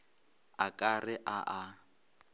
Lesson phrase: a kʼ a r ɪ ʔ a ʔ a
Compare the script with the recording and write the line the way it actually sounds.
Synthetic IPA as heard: a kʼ a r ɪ ʔ a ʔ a